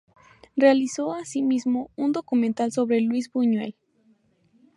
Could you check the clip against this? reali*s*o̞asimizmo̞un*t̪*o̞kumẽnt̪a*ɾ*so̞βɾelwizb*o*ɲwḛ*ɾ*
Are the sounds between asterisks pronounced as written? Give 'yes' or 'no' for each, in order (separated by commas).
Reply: yes, no, no, no, no